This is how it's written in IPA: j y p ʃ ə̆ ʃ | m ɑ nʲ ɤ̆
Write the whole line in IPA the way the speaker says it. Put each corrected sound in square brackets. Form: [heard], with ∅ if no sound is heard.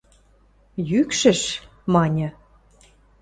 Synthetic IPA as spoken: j y [k] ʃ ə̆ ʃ | m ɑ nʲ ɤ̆